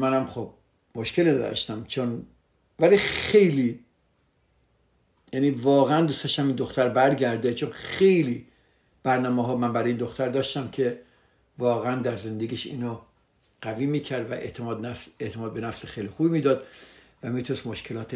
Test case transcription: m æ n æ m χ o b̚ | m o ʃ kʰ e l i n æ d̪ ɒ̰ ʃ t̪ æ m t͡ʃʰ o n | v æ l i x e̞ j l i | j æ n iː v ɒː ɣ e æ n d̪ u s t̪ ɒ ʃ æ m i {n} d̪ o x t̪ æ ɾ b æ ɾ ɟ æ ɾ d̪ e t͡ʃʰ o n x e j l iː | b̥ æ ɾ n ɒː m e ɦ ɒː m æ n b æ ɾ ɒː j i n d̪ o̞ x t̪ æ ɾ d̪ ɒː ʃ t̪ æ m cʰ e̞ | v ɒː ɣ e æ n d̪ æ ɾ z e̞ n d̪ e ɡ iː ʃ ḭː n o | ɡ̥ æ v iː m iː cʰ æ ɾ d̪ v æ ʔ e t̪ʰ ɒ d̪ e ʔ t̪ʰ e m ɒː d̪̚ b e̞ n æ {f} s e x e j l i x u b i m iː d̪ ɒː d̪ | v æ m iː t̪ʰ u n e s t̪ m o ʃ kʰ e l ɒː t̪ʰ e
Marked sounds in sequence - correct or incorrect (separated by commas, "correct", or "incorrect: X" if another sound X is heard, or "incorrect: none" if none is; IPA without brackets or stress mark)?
correct, correct